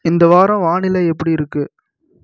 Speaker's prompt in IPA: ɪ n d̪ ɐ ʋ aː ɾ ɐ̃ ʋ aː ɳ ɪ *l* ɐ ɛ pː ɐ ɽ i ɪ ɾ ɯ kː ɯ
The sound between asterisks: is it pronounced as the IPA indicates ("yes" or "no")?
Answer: yes